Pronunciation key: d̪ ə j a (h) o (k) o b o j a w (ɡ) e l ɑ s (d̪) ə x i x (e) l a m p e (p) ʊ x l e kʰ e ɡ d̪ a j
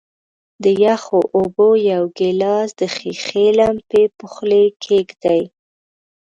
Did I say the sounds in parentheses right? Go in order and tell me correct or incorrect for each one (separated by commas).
incorrect, incorrect, correct, correct, correct, correct